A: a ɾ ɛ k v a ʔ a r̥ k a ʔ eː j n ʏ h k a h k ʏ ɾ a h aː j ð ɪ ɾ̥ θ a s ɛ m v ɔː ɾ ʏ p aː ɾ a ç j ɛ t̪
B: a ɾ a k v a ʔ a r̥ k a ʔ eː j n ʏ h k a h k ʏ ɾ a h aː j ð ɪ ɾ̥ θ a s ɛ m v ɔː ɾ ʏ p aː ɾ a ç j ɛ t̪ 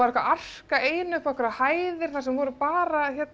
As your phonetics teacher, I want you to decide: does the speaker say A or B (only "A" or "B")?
A